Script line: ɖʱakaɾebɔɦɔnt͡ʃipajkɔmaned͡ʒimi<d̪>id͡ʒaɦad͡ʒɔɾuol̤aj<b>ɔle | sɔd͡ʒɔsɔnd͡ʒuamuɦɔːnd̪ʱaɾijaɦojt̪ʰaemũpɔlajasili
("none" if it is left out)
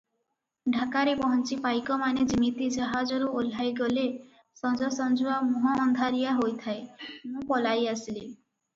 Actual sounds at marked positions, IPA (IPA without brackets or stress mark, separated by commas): t̪, ɡ